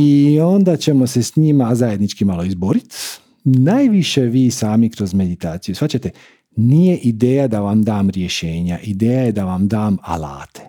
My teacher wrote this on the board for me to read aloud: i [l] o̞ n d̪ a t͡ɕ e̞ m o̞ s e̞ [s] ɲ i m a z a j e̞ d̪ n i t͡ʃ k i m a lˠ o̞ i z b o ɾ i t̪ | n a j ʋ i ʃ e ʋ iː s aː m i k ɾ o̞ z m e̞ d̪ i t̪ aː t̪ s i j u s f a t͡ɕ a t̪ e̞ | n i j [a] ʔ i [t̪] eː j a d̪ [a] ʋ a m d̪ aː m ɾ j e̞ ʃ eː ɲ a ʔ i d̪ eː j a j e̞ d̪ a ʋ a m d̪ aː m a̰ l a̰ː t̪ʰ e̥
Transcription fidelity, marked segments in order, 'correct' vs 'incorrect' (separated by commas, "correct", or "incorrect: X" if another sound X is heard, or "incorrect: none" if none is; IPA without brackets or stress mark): incorrect: none, correct, incorrect: e, incorrect: d̪, correct